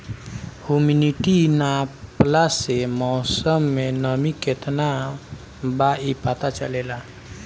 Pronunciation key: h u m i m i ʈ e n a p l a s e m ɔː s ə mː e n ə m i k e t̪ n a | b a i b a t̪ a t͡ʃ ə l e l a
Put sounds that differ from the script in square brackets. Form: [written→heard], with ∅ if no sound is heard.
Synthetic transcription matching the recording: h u m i [m→n] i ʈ [e→i] n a p l a s e m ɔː s ə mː e n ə m i k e t̪ n a | b a i [b→p] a t̪ a t͡ʃ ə l e l a